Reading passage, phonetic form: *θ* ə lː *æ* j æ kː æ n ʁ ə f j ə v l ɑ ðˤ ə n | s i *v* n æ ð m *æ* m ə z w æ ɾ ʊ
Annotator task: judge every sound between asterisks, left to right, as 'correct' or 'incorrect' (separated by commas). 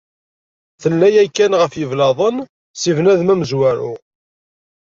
correct, correct, correct, correct